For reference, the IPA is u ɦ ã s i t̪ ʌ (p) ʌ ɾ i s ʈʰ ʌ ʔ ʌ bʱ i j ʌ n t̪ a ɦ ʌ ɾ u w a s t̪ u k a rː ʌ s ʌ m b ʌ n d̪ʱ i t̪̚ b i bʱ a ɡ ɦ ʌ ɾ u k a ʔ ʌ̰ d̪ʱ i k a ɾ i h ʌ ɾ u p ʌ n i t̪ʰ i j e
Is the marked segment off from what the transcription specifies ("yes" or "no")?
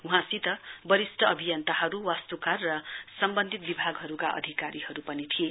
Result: yes